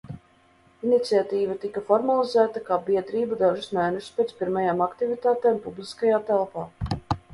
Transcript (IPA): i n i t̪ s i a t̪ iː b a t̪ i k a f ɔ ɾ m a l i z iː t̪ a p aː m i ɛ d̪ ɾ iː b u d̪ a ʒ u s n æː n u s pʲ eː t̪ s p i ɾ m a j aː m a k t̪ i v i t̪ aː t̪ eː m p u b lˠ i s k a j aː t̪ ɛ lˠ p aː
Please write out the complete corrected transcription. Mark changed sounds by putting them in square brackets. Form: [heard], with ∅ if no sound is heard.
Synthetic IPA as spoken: i n i t̪ s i a t̪ iː [v] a t̪ i k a f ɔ ɾ m a l i z [æː] t̪ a [k] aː [b] i ɛ d̪ ɾ iː b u d̪ a ʒ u s n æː n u s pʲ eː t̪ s p i ɾ m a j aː m a k t̪ i v i t̪ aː t̪ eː m p u b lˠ i s k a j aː t̪ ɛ lˠ p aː